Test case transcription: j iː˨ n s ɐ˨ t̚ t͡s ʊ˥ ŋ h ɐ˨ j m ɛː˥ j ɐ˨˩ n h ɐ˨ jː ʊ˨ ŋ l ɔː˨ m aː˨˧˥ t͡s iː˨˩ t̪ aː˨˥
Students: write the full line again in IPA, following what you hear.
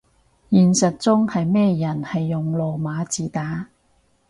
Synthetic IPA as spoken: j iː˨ n s ɐ˨ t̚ t͡s ʊ˥ ŋ h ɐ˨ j m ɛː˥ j ɐ˨˩ n h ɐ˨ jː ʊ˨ ŋ l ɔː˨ m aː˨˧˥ t͡s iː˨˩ t̪ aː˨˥